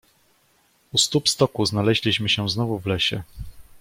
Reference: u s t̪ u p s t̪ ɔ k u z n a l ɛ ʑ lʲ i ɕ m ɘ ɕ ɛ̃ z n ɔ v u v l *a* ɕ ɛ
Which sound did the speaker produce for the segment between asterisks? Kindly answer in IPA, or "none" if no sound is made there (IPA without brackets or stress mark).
ɛ